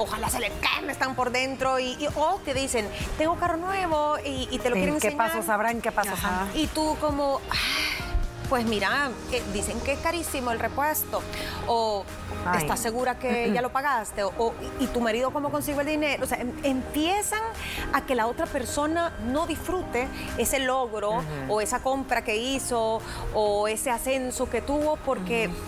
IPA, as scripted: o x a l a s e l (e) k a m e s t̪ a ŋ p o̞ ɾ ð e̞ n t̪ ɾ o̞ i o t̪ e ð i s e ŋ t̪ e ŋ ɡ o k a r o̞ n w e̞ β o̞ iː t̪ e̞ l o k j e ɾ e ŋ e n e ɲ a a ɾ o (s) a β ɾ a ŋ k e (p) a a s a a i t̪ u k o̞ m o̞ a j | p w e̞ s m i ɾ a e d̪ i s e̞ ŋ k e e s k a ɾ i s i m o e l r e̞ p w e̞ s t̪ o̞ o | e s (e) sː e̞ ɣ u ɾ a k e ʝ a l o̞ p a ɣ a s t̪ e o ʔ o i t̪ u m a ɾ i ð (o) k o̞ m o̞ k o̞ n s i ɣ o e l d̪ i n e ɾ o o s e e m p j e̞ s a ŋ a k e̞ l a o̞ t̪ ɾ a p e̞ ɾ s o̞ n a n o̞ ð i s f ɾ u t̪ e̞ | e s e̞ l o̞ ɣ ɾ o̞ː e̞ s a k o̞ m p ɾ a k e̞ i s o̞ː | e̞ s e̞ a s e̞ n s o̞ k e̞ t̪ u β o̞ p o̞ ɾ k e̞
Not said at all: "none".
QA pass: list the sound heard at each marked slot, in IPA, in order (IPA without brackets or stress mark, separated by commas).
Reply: e, s, p, a, o